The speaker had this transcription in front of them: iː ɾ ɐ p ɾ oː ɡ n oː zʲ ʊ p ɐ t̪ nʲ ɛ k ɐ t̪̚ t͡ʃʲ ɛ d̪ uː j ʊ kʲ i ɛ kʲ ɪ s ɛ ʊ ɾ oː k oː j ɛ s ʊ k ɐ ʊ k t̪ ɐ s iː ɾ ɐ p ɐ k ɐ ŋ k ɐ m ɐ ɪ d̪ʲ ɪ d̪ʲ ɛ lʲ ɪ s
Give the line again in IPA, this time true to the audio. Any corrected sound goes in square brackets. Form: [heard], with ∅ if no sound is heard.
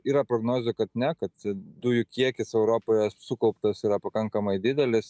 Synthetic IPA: iː ɾ ɐ p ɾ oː ɡ n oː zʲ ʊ [k] ɐ t̪ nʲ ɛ k ɐ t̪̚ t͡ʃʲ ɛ d̪ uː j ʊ kʲ i ɛ kʲ ɪ s ɛ ʊ ɾ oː [p] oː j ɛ s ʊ k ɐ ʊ [p] t̪ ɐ s iː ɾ ɐ p ɐ k ɐ ŋ k ɐ m ɐ ɪ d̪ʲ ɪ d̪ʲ ɛ lʲ ɪ s